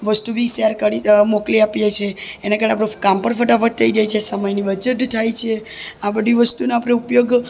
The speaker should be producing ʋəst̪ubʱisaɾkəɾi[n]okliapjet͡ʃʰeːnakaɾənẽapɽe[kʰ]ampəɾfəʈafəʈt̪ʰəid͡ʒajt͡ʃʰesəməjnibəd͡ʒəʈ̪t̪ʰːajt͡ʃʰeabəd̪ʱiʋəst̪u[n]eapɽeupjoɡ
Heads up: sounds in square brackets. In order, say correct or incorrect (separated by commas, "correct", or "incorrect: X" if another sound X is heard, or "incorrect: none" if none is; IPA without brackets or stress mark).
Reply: incorrect: m, incorrect: k, correct